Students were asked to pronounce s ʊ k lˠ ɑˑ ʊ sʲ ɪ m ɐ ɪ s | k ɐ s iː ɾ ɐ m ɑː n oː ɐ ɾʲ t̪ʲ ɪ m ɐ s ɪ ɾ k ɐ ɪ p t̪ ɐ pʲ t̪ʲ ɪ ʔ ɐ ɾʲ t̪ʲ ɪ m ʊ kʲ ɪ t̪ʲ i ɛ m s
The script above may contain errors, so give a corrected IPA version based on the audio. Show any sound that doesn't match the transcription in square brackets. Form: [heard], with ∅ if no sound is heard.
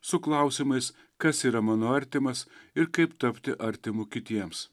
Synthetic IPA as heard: s ʊ k lˠ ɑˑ ʊ sʲ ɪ m ɐ ɪ s | k ɐ s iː ɾ ɐ m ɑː n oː ɐ ɾʲ t̪ʲ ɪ m ɐ s ɪ ɾ k ɐ ɪ p t̪ ɐ pʲ t̪ʲ ɪ ʔ ɐ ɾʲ t̪ʲ ɪ m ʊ kʲ ɪ t̪ʲ i ɛ m s